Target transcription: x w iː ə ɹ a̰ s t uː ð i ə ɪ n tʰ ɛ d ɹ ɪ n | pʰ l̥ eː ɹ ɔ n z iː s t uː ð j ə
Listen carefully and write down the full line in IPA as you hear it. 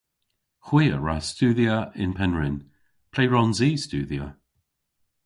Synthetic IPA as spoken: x w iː ə ɹ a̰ s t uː ð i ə ɪ n pʰ ɛ n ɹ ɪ n | pʰ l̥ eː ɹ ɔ n z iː s t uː ð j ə